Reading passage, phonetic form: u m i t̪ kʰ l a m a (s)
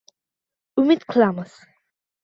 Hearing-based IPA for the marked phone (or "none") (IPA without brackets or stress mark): s